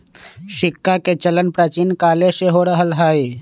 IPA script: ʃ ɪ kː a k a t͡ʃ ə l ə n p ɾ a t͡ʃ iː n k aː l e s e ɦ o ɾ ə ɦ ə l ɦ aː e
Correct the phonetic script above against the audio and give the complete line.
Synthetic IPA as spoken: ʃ ɪ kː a k e t͡ʃ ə l ə n p ɾ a t͡ʃ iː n k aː l e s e ɦ o ɾ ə ɦ ə l ɦ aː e